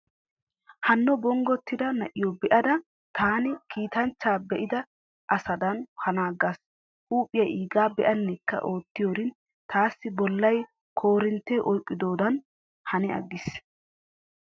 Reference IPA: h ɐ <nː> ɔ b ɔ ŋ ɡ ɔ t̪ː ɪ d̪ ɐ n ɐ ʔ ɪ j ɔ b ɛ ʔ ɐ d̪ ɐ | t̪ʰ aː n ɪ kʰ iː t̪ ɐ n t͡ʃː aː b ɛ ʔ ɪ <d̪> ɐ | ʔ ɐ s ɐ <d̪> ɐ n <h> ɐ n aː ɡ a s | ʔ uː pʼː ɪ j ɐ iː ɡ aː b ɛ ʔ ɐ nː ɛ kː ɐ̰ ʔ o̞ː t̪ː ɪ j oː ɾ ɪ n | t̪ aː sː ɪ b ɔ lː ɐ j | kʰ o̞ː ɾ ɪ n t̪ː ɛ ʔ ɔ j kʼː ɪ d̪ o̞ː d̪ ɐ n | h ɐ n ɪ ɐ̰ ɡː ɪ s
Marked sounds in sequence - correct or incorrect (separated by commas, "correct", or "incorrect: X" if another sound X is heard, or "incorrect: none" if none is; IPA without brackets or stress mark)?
correct, correct, correct, correct